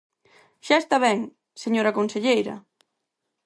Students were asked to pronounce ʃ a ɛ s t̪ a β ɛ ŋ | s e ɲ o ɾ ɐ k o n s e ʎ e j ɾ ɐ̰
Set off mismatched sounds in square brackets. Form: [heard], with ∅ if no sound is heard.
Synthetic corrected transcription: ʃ a [e] s t̪ a β ɛ ŋ | s e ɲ o ɾ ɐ k o n s e ʎ e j ɾ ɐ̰